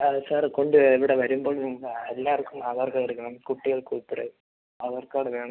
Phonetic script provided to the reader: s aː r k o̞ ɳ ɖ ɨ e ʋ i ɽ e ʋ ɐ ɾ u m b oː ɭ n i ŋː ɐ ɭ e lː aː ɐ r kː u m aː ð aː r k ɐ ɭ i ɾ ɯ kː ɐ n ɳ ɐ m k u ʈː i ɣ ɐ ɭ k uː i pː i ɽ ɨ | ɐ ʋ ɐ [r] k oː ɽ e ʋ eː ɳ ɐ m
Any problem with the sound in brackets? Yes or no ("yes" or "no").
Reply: no